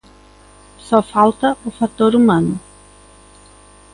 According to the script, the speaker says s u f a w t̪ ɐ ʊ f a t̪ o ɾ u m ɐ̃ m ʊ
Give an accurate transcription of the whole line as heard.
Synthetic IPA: s ɔ f a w t̪ ɐ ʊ f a t̪ o ɾ u m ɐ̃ n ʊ